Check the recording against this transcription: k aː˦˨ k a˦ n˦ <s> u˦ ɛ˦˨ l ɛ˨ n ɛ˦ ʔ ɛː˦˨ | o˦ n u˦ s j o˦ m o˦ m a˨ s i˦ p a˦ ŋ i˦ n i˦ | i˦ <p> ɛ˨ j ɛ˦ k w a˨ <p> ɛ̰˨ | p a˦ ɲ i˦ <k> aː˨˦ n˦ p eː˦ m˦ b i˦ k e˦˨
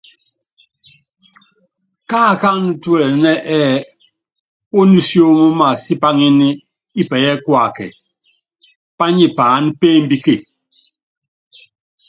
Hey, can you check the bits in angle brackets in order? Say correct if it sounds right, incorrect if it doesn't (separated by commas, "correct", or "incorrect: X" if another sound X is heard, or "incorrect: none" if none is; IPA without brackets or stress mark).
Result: incorrect: t, correct, incorrect: k, incorrect: p